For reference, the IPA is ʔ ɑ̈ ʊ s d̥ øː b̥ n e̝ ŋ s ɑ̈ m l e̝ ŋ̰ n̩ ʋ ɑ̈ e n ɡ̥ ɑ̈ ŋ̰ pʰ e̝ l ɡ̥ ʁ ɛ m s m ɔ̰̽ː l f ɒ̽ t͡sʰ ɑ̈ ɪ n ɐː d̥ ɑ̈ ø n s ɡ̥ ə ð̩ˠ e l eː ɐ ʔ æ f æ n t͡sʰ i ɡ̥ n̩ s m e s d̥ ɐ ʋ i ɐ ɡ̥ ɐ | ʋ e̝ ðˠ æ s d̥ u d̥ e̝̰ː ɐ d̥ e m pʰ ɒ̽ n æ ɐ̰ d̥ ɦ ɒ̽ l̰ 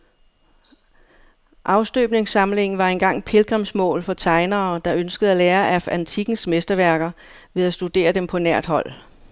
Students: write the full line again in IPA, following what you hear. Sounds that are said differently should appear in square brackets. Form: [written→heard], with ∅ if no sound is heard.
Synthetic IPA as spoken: ʔ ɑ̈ ʊ s d̥ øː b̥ n e̝ ŋ s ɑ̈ m l e̝ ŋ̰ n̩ ʋ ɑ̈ e n ɡ̥ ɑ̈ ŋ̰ pʰ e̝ l ɡ̥ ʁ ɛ m s m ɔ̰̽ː l f ɒ̽ t͡sʰ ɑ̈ ɪ n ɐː d̥ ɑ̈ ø n s ɡ̥ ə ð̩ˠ [e→æ] l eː ɐ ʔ æ f æ n t͡sʰ i ɡ̥ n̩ s m e s d̥ ɐ ʋ [i→æ] ɐ ɡ̥ ɐ | ʋ e̝ ðˠ æ s d̥ u d̥ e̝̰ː ɐ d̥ e m pʰ ɒ̽ n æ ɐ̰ d̥ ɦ ɒ̽ l̰